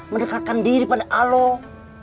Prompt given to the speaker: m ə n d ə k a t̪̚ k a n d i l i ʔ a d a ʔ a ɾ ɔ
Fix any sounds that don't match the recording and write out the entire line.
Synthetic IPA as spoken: m ə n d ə k a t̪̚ k a n d i ɾ i p a d a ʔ a l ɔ